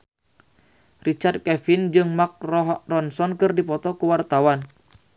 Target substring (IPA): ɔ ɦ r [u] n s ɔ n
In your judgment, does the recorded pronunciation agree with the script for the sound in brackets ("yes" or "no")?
no